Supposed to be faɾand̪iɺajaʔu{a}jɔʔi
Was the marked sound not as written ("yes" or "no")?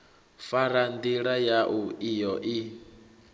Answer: yes